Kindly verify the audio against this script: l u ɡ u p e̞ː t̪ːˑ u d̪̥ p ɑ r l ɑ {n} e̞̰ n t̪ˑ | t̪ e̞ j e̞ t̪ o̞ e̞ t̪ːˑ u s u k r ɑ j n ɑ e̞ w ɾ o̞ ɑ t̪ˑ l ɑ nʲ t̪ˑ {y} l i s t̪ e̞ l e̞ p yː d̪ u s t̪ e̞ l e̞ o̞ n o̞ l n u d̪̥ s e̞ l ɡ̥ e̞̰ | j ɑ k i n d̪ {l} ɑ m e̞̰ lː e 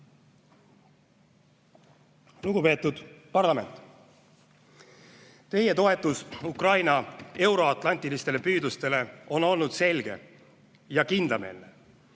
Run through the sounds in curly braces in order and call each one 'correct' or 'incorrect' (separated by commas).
incorrect, incorrect, correct